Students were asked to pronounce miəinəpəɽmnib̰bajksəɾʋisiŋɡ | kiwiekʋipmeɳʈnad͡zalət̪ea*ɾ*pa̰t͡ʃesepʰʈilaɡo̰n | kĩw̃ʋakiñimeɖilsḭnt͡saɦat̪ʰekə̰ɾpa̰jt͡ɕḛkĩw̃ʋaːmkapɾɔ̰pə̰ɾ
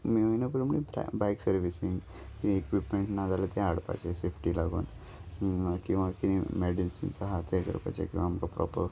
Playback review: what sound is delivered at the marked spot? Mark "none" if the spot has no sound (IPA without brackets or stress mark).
ɽ